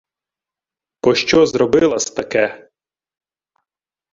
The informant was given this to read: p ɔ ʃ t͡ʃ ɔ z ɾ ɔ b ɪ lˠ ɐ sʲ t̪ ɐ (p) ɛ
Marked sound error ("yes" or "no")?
yes